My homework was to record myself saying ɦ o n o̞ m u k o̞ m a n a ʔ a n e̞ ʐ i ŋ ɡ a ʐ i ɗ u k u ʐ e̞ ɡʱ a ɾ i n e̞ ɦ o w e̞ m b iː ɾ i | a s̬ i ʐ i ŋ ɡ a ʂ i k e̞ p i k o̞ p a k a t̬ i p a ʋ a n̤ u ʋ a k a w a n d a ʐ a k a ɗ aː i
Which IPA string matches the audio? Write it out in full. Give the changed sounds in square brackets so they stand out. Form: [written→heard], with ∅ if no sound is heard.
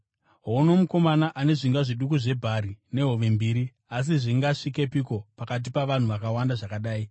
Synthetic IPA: ɦ o n o̞ m u k o̞ m a n a ʔ a n e̞ ʐ i ŋ ɡ a ʐ i ɗ u k u ʐ e̞ [ɡʱ→bʱ] a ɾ i n e̞ ɦ o [w→ʋ] e̞ m b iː ɾ i | a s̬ i ʐ i ŋ ɡ a ʂ i k e̞ p i k o̞ p a k a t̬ i p a ʋ a n̤ u ʋ a k a w a n d a ʐ a k a ɗ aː i